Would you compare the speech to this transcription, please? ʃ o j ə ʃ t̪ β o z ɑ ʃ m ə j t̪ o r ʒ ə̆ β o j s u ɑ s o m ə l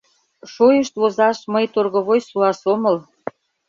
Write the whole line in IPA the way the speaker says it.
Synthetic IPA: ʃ o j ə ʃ t̪ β o z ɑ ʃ m ə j t̪ o r ɣ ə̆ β o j s u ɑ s o m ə l